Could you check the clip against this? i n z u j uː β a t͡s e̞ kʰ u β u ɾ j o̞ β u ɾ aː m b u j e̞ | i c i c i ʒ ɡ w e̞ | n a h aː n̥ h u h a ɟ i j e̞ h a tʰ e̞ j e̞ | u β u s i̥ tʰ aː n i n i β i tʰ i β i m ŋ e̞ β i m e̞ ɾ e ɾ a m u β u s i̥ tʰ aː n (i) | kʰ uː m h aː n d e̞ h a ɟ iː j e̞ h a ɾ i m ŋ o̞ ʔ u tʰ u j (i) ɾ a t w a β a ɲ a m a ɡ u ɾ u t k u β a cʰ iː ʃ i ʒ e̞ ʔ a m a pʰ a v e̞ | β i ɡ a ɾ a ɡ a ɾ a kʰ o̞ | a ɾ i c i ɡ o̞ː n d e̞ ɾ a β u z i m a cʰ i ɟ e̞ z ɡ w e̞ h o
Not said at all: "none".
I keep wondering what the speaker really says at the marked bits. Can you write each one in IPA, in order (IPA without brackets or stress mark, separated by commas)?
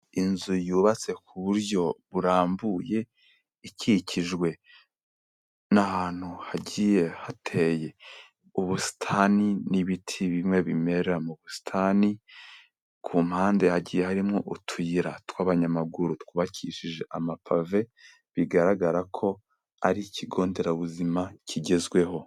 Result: i, i